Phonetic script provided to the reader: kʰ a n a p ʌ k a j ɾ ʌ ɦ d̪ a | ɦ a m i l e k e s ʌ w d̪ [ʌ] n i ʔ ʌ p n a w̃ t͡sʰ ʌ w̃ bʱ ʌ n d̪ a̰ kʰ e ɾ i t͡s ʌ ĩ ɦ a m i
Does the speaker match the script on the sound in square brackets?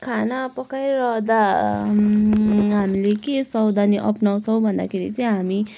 no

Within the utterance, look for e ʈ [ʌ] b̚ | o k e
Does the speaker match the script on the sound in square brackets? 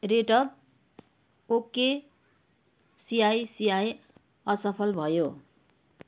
yes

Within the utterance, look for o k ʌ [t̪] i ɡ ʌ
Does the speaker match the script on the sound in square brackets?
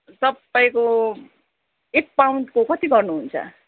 yes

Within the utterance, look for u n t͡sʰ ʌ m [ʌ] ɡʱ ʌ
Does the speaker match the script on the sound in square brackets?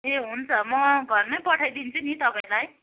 yes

